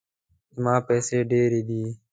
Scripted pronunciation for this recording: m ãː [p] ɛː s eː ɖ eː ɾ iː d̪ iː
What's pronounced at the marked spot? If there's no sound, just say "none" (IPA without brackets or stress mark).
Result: p